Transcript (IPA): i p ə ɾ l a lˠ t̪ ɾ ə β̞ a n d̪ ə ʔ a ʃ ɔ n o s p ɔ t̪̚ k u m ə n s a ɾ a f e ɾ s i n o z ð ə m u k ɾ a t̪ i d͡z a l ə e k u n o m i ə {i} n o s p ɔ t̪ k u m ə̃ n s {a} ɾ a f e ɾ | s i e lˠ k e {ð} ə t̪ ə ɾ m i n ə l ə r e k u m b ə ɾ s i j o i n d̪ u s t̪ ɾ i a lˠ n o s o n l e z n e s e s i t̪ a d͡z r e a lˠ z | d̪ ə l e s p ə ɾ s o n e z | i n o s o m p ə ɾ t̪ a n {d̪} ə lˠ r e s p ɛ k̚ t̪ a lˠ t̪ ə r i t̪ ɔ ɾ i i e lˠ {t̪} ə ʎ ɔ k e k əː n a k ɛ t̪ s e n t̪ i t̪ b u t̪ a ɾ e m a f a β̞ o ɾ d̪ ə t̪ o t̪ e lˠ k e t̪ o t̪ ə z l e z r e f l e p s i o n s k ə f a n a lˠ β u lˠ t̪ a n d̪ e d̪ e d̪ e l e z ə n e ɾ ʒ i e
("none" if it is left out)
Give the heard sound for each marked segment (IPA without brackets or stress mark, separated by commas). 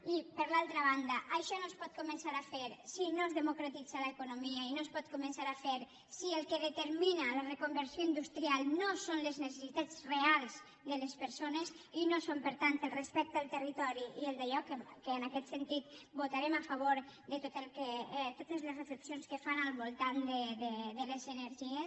i, a, ð, t̪, d̪